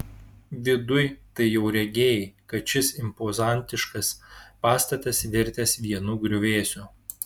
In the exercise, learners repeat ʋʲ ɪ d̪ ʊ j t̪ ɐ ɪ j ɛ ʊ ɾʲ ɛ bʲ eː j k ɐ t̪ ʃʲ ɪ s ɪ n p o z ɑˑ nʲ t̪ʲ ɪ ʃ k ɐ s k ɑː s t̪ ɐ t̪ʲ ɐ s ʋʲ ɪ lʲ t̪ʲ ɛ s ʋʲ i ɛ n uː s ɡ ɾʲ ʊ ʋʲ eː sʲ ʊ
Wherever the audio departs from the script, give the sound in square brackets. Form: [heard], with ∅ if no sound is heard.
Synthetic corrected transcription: ʋʲ ɪ d̪ ʊ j t̪ ɐ ɪ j ɛ ʊ ɾʲ ɛ [ɡʲ] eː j k ɐ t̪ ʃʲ ɪ s ɪ [m] p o z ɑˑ nʲ t̪ʲ ɪ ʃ k ɐ s [p] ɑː s t̪ ɐ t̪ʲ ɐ s ʋʲ ɪ [ɾʲ] t̪ʲ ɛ s ʋʲ i ɛ n uː [∅] ɡ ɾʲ ʊ ʋʲ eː sʲ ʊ